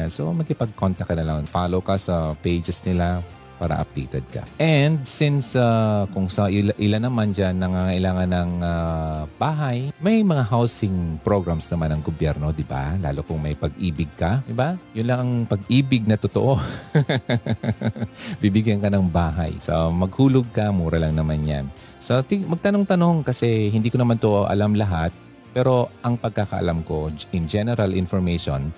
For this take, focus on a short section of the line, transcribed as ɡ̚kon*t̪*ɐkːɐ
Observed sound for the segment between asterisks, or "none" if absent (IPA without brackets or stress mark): t̪